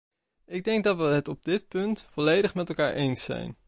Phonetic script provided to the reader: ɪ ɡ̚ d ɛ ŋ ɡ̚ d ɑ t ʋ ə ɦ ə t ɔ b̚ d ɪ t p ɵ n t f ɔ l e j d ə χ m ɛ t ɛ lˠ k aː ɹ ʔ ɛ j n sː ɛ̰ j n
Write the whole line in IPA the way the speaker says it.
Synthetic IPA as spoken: ɪ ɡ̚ d ɛ ŋ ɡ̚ d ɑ t ʋ ə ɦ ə t ɔ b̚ d ɪ t p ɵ n t f ɔ l e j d ə χ m ɛ t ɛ lˠ k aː ɹ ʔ e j n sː ɛ̰ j n